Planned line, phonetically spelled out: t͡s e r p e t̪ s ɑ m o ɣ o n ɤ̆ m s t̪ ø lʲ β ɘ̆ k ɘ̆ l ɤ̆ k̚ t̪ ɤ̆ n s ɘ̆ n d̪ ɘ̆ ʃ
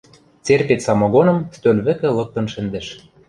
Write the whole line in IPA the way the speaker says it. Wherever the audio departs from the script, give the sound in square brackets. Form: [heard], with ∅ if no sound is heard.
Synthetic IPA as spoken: t͡s e r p e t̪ s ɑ m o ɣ o n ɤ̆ m s t̪ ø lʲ β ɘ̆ k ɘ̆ l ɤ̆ k̚ t̪ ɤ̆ n [ʃ] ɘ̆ n d̪ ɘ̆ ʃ